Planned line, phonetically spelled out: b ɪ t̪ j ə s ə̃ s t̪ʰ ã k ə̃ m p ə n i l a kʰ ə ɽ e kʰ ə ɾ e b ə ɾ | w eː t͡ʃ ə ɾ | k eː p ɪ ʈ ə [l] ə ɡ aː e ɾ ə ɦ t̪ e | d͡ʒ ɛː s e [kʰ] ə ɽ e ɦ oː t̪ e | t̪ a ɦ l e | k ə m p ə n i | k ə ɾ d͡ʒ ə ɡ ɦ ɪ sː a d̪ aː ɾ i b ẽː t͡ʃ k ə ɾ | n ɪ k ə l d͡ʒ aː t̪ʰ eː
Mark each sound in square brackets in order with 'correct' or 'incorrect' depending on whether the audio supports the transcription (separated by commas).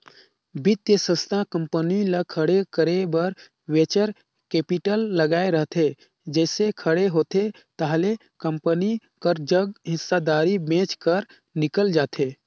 incorrect, correct